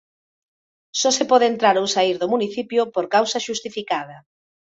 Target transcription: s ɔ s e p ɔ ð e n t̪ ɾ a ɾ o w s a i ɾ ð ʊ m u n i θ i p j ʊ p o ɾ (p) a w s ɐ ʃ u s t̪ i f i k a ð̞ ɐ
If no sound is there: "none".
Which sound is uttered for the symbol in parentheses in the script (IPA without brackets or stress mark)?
k